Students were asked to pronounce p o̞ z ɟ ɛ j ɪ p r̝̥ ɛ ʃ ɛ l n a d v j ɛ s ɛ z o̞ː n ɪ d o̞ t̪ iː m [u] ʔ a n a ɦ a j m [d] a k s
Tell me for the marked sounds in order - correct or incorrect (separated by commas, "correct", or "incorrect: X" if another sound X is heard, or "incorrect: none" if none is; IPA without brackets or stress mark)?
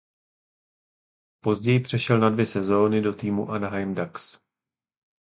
correct, correct